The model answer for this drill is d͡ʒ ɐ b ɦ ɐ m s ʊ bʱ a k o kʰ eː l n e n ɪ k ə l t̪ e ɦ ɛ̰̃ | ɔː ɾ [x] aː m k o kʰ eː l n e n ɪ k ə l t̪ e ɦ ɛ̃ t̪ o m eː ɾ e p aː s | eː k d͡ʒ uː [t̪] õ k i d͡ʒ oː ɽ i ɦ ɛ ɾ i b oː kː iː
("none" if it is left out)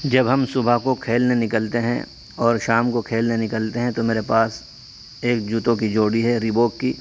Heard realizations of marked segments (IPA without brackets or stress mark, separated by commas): ʃ, t̪